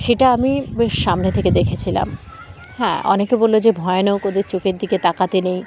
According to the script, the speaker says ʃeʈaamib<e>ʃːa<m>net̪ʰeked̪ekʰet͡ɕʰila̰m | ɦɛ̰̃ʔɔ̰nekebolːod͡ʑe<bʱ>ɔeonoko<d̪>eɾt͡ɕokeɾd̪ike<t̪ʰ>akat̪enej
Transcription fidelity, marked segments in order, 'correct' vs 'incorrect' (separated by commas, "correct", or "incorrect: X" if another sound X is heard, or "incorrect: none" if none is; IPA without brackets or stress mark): correct, correct, correct, correct, incorrect: t̪